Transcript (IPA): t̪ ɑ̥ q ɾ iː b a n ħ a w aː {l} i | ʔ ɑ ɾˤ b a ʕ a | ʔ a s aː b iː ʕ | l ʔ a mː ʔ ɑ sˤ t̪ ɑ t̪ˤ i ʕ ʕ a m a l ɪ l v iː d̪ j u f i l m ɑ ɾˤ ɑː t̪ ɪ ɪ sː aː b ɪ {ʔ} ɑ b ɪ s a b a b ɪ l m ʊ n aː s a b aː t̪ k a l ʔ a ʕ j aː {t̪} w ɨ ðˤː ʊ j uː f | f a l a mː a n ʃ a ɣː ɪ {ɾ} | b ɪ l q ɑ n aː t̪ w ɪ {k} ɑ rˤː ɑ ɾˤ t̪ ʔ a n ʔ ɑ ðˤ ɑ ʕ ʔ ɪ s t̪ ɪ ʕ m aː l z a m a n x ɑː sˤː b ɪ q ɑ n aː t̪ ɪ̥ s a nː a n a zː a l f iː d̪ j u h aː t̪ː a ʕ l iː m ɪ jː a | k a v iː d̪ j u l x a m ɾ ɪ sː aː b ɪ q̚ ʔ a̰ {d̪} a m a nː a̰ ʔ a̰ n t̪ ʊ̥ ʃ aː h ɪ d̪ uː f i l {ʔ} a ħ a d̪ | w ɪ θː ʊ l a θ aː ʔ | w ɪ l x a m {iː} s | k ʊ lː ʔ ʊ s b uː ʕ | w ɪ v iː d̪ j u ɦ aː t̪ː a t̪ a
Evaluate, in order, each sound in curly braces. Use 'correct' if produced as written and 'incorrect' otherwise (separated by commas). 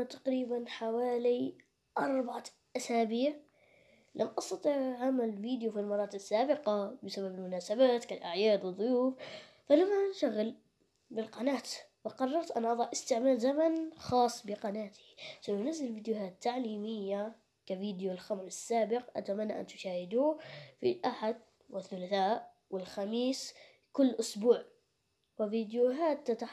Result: correct, incorrect, incorrect, incorrect, incorrect, incorrect, correct, correct